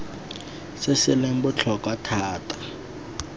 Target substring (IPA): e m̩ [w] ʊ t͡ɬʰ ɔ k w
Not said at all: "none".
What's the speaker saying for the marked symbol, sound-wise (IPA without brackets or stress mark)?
b